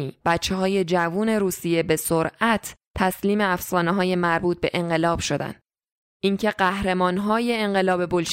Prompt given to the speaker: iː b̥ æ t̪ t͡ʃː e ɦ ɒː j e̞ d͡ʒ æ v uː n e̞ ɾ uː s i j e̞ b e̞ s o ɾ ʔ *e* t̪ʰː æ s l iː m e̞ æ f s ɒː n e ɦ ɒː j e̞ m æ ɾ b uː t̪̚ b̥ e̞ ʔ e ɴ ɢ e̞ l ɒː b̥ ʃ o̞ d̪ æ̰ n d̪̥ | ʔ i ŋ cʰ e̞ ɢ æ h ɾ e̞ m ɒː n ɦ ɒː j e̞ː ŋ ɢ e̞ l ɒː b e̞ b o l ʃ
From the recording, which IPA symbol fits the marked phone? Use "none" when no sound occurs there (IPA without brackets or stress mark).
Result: æ